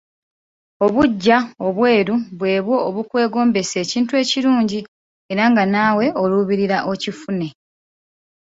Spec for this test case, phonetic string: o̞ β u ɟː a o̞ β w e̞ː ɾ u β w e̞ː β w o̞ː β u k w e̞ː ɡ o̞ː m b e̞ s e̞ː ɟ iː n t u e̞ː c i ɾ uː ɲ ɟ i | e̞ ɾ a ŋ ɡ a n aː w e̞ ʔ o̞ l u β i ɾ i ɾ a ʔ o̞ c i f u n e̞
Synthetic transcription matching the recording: o̞ β u ɟː a o̞ β w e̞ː ɾ u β w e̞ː β w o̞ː β u k w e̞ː ɡ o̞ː m b e̞ s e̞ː c iː n t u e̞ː c i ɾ uː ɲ ɟ i | e̞ ɾ a ŋ ɡ a n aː w e̞ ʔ o̞ l u β i ɾ i ɾ a ʔ o̞ c i f u n e̞